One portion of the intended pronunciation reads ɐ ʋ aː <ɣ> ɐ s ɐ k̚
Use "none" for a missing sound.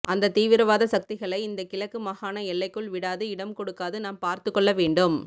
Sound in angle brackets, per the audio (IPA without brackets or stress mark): ð